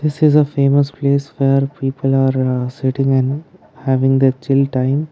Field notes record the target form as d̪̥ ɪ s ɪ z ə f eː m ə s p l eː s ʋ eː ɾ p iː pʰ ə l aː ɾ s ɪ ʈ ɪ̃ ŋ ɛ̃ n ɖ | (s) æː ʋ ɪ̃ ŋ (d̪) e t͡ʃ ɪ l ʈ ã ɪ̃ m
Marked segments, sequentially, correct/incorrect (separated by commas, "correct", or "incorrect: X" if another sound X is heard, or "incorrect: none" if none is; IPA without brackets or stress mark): incorrect: h, correct